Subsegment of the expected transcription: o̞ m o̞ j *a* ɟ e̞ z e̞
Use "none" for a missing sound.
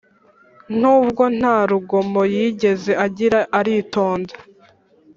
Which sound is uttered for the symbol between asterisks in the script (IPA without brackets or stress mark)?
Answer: i